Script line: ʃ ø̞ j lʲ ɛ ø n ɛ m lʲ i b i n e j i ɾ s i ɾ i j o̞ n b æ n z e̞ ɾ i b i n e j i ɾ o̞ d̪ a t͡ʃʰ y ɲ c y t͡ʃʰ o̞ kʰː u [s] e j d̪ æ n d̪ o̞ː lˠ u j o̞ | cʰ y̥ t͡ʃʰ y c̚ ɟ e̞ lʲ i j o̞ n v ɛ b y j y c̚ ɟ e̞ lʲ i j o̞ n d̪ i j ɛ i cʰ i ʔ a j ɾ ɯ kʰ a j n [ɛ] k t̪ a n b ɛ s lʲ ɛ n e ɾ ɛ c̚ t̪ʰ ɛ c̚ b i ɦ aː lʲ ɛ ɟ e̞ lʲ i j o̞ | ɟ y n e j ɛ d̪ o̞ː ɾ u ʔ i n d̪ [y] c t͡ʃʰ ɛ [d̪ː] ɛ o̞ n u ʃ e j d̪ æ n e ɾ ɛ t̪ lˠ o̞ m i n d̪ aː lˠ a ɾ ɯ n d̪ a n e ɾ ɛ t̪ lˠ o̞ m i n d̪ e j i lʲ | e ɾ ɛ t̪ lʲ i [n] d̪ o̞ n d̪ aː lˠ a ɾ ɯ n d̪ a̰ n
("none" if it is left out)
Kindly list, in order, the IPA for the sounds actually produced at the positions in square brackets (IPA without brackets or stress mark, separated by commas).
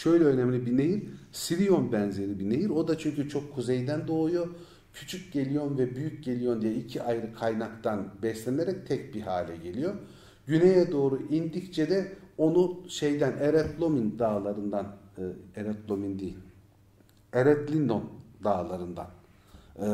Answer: z, a, i, d̪, n